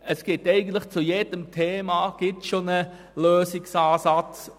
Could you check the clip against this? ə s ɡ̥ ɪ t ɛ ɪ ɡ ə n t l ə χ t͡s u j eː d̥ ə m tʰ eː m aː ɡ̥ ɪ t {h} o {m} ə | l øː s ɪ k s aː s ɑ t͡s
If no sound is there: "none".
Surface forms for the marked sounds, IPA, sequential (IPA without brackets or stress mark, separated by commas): ʃ, n